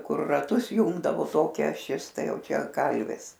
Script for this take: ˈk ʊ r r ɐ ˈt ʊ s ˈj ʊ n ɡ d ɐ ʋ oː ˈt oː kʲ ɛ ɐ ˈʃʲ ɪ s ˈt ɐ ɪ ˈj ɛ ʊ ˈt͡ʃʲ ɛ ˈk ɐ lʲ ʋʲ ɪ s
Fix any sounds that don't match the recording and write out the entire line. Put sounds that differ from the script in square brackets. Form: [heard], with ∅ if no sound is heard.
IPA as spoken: ˈk ʊ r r ɐ ˈt ʊ s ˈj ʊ [ŋ] ɡ d ɐ ʋ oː ˈt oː kʲ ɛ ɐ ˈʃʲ ɪ s ˈt ɐ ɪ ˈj ɛ ʊ ˈt͡ʃʲ ɛ ˈk ɐ lʲ ʋʲ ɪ s

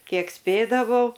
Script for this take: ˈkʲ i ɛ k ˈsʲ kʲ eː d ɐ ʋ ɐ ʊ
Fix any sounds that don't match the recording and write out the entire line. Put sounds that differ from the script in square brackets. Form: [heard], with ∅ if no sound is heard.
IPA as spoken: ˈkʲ i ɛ k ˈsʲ [pʲ] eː d ɐ ʋ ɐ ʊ

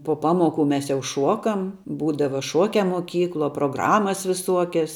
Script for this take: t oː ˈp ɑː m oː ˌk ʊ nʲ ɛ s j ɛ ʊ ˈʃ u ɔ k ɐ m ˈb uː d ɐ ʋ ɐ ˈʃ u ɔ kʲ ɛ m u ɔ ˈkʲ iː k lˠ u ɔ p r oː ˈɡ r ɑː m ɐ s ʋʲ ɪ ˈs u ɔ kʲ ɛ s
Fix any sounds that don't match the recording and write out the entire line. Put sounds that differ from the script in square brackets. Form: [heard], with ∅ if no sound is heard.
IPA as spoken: [p] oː ˈp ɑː m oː ˌk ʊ [mʲ] ɛ s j ɛ ʊ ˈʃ u ɔ k ɐ m ˈb uː d ɐ ʋ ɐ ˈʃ u ɔ kʲ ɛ m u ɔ ˈkʲ iː k lˠ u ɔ p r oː ˈɡ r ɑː m ɐ s ʋʲ ɪ ˈs u ɔ kʲ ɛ s

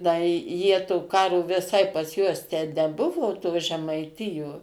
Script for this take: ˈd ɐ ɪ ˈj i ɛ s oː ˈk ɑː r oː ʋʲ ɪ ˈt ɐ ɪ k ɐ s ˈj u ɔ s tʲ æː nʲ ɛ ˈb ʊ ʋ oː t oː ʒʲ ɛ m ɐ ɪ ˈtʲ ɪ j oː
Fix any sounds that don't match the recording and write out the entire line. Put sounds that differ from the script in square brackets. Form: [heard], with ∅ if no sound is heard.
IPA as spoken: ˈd ɐ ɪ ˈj i ɛ [t] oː ˈk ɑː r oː ʋʲ ɪ [ˈs] ɐ ɪ [p] ɐ s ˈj u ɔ s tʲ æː nʲ ɛ ˈb ʊ ʋ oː t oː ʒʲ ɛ m ɐ ɪ ˈtʲ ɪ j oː

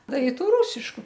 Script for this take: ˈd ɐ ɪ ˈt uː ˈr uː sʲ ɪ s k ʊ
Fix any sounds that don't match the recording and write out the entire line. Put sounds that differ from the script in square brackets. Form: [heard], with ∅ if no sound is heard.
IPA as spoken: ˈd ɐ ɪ ˈt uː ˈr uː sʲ ɪ [ʃ] k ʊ

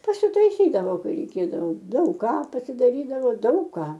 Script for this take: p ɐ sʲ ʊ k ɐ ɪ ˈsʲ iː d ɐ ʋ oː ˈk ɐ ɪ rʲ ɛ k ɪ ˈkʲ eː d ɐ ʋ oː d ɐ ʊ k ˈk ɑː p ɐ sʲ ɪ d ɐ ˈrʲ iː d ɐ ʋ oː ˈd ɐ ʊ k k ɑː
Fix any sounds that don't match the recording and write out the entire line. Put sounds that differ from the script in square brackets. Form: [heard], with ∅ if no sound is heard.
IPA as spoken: p ɐ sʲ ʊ [t] ɐ ɪ ˈsʲ iː d ɐ ʋ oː ˈk ɐ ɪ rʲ ɛ [∅] ɪ ˈkʲ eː d ɐ ʋ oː d ɐ ʊ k ˈk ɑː p ɐ sʲ ɪ d ɐ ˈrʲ iː d ɐ ʋ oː ˈd ɐ ʊ k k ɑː

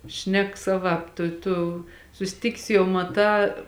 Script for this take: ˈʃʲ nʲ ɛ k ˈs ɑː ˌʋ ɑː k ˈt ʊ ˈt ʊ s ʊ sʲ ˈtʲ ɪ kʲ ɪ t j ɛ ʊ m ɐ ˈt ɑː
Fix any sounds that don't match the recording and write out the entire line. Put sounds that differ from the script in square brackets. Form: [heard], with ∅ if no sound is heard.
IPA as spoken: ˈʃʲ nʲ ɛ k ˈs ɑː ˌʋ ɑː [p] ˈt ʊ ˈt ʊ s ʊ sʲ ˈtʲ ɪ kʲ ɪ [s] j ɛ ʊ m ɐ ˈt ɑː

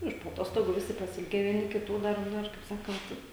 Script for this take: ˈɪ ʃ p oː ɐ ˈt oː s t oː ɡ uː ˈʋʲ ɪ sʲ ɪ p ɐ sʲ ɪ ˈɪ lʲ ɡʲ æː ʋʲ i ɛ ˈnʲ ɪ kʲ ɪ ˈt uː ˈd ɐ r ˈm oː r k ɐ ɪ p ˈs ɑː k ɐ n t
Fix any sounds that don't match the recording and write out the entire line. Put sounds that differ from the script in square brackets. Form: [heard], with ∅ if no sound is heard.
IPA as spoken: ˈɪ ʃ p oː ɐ ˈt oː s t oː ɡ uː ˈʋʲ ɪ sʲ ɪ p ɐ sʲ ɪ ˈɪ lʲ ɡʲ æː ʋʲ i ɛ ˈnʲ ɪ kʲ ɪ ˈt uː ˈd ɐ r [ˈn] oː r k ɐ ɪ p ˈs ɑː k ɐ n t

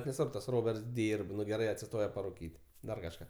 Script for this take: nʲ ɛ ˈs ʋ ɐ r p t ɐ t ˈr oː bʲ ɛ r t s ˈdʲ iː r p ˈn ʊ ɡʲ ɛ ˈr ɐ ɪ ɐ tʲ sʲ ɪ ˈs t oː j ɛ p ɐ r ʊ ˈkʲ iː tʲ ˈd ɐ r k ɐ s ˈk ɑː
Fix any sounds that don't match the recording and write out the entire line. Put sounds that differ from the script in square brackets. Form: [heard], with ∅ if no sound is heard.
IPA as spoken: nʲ ɛ ˈs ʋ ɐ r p t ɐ [s] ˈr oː bʲ ɛ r t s ˈdʲ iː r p ˈn ʊ ɡʲ ɛ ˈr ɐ ɪ ɐ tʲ sʲ ɪ ˈs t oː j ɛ p ɐ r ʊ ˈkʲ iː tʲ ˈd ɐ r k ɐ [ʃ] ˈk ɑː

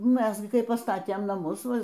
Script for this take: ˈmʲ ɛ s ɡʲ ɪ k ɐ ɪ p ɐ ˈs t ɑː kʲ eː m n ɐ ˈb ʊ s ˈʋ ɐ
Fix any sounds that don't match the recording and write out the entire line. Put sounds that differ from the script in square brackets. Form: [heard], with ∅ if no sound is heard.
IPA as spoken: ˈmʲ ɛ s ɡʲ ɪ k ɐ ɪ p ɐ ˈs t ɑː [tʲ] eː m n ɐ [ˈm] ʊ s ˈʋ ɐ

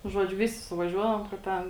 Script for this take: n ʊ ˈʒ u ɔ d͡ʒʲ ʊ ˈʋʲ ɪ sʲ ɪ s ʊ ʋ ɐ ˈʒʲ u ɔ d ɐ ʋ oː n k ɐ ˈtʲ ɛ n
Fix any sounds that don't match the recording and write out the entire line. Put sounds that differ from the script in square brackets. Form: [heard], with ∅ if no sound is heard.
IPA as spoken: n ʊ ˈʒ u ɔ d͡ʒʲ ʊ ˈʋʲ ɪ sʲ ɪ s ʊ ʋ ɐ ˈʒʲ u ɔ d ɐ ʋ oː [m] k ɐ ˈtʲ ɛ n

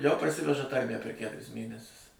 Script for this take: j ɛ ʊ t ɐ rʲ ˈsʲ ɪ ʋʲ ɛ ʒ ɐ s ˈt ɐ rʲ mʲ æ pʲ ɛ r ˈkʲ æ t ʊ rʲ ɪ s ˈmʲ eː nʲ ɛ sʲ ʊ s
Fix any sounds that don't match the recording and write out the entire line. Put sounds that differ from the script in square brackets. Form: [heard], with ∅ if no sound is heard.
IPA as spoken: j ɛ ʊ [p] ɐ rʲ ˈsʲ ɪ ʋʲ ɛ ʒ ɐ [∅] ˈt ɐ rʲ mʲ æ pʲ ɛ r ˈkʲ æ t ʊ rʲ ɪ s ˈmʲ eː nʲ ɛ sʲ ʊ s

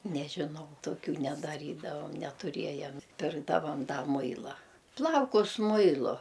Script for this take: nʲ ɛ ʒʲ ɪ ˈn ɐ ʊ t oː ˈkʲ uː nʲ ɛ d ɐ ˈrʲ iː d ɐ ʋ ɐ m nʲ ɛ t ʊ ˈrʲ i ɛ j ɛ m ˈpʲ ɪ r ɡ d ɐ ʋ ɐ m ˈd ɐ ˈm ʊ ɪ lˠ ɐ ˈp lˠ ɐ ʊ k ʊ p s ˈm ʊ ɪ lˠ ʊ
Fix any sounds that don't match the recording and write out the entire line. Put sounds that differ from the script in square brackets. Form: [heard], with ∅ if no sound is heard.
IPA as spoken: nʲ ɛ ʒʲ ɪ ˈn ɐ ʊ t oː ˈkʲ uː nʲ ɛ d ɐ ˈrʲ iː d ɐ ʋ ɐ m nʲ ɛ t ʊ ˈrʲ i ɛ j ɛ m ˈpʲ ɪ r ɡ d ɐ ʋ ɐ m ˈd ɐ ˈm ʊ ɪ lˠ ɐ ˈp lˠ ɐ ʊ k ʊ [∅] s ˈm ʊ ɪ lˠ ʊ

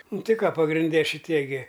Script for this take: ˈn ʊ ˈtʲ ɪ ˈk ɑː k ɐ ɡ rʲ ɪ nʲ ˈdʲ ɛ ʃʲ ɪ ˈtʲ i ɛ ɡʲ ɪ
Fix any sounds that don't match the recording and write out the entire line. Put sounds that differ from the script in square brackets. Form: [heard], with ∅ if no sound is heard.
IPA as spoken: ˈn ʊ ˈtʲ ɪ ˈk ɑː [p] ɐ ɡ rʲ ɪ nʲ ˈdʲ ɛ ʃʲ ɪ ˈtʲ i ɛ ɡʲ ɪ

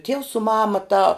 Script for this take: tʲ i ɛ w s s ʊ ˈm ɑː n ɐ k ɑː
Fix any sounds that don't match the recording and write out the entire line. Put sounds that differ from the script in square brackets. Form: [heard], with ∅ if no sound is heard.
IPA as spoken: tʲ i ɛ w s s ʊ ˈm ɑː [m] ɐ [t] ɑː

